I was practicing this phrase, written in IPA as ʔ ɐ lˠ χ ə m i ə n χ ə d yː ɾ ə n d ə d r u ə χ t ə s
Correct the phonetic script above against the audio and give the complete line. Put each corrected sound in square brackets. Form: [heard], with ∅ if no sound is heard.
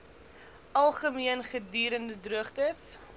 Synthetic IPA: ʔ ɐ lˠ χ ə m i ə n χ ə d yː ɾ ə n d ə d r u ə χ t ə s